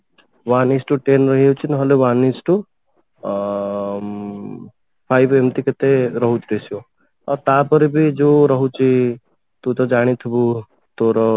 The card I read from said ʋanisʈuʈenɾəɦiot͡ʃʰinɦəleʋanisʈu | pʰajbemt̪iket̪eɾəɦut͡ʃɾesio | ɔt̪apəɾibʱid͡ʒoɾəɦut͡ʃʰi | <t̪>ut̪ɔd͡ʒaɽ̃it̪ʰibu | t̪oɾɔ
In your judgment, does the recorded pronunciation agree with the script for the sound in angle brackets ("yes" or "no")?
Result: yes